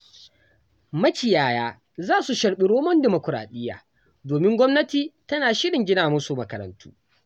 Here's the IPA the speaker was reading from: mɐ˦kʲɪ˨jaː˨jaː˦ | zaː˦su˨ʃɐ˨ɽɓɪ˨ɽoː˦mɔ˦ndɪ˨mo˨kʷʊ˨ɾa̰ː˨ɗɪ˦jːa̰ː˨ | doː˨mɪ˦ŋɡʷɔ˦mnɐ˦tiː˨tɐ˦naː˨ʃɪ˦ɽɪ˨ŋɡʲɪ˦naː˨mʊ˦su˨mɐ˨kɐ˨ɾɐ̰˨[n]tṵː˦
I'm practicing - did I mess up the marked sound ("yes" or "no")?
no